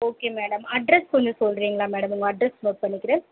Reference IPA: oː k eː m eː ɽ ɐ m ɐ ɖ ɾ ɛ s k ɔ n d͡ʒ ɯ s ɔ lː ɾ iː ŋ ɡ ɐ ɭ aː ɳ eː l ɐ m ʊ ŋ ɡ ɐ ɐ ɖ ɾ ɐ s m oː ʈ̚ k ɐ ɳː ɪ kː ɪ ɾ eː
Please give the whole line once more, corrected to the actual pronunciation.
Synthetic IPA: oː k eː m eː ɽ ɐ m ɐ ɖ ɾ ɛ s k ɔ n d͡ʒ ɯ s ɔ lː ɾ iː ŋ ɡ ɐ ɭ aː m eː ɽ ɐ m ʊ ŋ ɡ ɐ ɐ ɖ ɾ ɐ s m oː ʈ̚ p ɐ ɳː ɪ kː ɪ ɾ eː